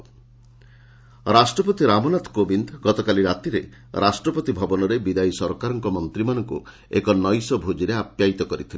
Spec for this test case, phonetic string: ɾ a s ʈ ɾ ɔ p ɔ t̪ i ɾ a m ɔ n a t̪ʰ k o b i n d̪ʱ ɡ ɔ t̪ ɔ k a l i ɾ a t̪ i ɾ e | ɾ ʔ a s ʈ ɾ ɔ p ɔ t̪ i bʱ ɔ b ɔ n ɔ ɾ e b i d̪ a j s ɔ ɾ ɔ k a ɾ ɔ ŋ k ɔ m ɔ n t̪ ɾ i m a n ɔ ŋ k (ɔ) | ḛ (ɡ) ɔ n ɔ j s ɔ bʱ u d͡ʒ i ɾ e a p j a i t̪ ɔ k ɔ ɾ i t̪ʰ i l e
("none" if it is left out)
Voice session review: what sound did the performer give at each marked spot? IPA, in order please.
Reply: u, k

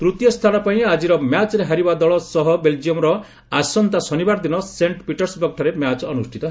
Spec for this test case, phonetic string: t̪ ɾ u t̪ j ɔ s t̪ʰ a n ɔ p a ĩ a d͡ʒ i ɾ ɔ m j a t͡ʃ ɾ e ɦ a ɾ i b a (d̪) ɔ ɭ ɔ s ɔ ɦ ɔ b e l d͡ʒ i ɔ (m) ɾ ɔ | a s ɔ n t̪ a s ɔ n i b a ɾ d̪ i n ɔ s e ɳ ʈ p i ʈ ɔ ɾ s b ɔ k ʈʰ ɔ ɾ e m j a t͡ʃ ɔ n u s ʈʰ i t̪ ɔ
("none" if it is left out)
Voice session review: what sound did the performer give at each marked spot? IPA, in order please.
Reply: d̪, m

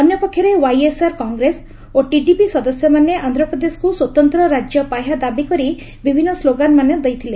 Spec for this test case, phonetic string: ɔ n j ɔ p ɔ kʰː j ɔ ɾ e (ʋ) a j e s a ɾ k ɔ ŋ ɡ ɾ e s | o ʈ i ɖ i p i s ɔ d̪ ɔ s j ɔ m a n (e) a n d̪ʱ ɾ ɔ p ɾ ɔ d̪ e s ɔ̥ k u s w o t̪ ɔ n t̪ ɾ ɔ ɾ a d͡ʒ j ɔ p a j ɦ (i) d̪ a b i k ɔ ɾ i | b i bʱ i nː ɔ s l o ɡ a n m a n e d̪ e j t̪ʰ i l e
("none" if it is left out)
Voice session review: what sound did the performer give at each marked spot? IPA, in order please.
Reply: w, e, a

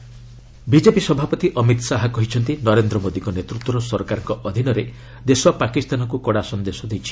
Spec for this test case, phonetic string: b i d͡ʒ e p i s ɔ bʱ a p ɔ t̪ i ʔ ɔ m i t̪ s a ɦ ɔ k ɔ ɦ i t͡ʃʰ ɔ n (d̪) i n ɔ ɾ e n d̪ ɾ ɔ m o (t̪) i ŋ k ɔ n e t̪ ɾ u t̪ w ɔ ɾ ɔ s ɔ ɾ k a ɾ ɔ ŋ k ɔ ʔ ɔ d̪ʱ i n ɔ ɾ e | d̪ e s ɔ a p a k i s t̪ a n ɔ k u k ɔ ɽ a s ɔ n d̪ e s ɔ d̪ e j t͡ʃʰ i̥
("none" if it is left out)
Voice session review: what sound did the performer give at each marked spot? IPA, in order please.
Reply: t̪, d̪

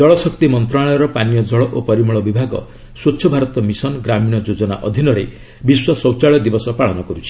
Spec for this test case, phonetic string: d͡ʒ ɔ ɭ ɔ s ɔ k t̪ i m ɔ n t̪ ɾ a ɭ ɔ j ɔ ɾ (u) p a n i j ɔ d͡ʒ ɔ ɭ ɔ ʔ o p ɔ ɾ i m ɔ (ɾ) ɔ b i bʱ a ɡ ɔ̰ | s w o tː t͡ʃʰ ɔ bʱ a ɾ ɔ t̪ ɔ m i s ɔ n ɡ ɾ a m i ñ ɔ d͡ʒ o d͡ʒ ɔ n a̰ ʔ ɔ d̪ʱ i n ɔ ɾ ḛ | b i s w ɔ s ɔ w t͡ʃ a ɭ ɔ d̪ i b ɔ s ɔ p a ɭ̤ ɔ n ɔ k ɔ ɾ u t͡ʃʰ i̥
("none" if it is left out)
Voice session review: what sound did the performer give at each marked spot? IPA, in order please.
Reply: ɔ, ɭ

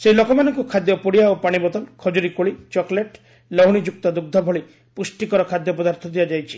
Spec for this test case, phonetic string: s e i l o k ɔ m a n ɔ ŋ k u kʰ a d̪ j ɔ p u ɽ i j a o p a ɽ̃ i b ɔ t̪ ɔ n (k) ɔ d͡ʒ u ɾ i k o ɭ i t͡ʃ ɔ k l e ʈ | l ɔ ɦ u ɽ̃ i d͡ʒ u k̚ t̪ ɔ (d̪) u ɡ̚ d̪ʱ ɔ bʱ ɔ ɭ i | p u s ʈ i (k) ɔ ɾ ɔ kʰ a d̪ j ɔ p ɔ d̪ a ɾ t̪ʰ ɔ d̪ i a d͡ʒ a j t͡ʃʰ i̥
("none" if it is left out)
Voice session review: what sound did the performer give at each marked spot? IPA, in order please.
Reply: kʰ, d̪, k

